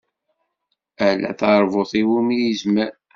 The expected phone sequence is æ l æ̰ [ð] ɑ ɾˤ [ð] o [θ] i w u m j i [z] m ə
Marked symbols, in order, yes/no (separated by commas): no, no, yes, yes